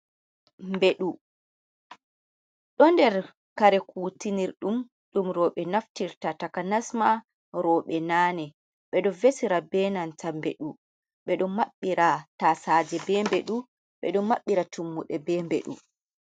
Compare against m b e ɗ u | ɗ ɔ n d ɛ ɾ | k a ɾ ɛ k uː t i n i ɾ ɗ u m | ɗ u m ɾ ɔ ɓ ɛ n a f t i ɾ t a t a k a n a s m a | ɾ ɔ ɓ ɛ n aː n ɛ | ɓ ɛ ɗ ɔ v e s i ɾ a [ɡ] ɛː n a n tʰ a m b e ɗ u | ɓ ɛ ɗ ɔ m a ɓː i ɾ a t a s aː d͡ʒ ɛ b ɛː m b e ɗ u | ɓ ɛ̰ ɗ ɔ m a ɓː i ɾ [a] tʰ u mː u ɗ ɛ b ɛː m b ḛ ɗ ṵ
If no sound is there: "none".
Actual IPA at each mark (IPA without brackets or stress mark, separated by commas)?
b, a